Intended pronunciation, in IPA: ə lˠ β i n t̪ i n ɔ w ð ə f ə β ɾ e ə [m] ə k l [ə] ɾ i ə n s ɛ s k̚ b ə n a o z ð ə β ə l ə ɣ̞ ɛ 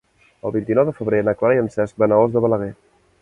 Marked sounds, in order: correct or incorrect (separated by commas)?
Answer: incorrect, incorrect